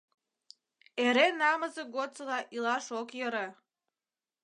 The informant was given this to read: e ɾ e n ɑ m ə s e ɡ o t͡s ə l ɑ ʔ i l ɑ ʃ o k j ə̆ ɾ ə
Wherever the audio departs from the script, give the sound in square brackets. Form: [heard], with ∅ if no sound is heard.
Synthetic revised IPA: e ɾ e n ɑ m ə [z] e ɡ o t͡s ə l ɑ ʔ i l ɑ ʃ o k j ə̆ ɾ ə